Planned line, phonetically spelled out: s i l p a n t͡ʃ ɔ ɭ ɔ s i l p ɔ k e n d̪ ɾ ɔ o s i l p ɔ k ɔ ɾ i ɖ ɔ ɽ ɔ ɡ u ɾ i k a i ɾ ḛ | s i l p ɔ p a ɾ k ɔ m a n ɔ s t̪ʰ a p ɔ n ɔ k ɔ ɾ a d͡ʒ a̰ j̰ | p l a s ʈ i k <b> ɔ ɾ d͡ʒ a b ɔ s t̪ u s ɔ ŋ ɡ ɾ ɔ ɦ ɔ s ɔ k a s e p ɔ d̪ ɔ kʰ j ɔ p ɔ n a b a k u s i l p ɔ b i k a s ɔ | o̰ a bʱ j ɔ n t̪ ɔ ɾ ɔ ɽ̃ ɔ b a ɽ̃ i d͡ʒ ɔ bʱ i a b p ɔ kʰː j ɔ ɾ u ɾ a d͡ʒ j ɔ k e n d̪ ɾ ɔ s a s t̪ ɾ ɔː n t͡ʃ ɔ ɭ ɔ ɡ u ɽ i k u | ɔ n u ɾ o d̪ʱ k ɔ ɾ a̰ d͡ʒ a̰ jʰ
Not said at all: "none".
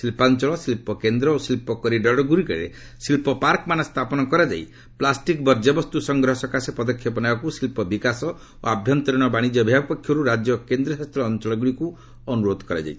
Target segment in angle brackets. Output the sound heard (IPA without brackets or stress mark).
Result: b